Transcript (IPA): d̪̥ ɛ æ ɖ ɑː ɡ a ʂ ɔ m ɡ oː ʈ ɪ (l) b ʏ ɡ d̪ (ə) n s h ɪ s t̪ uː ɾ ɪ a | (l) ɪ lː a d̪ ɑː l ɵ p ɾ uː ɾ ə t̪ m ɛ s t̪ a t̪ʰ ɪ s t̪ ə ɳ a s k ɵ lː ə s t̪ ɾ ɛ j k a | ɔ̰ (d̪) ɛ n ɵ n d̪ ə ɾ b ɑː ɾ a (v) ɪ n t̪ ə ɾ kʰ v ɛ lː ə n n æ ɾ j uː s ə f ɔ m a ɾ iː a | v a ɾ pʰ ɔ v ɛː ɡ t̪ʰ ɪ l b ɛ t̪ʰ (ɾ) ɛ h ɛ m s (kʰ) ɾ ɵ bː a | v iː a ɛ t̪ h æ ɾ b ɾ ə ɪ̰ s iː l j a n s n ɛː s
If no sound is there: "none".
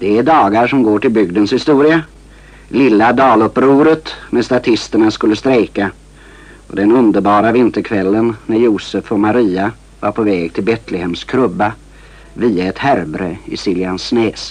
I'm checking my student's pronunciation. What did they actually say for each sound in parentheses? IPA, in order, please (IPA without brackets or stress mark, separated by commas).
l, ə, l, d̪, v, l, kʰ